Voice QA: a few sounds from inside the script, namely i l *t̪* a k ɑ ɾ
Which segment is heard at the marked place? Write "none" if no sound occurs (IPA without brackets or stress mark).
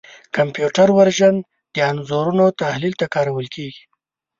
t̪